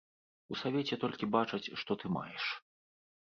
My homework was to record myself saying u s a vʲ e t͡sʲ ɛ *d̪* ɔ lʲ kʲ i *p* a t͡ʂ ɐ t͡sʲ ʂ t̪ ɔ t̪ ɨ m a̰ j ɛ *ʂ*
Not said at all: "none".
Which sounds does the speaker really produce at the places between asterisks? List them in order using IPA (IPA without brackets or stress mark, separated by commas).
t̪, b, ʂ